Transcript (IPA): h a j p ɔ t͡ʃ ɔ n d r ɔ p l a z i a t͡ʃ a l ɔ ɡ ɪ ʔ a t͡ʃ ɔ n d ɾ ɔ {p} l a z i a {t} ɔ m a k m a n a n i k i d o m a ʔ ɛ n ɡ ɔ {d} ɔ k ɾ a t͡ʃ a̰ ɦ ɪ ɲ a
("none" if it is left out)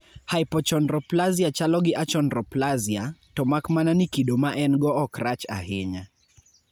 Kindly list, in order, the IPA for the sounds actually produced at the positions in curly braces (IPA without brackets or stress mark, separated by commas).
p, t, none